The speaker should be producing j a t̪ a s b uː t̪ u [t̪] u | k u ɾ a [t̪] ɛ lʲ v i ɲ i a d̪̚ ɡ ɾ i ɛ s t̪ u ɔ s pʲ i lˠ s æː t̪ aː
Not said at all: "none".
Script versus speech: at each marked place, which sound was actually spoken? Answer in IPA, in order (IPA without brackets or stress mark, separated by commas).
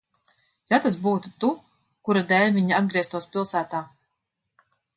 t̪, d̪